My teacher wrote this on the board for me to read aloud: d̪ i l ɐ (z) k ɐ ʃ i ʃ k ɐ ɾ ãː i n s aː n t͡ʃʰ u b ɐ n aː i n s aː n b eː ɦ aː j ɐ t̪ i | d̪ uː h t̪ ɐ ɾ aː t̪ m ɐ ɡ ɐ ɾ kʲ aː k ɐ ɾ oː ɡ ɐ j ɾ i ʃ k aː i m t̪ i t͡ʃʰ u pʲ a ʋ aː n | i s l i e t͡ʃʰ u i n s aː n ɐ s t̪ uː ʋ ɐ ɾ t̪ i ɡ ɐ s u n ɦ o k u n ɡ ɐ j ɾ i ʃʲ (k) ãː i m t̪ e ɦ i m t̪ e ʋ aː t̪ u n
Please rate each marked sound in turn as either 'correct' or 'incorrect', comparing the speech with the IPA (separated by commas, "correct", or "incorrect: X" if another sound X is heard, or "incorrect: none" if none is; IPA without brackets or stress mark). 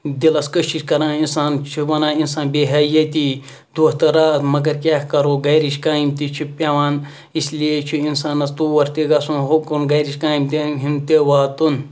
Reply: incorrect: s, correct